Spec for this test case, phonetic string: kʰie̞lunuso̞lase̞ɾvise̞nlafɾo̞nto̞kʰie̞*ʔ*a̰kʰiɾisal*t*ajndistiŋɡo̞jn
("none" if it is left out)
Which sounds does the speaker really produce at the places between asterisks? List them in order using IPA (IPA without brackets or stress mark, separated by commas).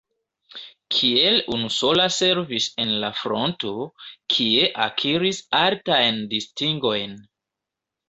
ʔ, t